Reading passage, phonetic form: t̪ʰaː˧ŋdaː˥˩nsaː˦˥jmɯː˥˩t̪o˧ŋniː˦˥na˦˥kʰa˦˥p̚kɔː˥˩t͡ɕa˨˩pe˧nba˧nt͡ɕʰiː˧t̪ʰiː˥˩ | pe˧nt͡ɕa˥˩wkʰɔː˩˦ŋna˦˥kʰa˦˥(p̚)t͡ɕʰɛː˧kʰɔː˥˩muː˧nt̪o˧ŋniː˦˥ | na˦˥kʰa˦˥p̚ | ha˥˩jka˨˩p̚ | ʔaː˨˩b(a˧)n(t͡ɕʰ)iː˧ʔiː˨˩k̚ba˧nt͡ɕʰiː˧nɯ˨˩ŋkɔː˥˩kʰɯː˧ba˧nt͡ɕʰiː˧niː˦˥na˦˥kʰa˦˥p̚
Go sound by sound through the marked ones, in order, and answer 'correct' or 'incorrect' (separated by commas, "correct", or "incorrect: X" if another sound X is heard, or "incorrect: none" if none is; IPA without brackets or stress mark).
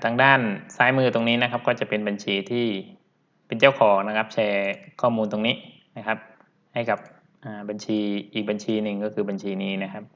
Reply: correct, correct, correct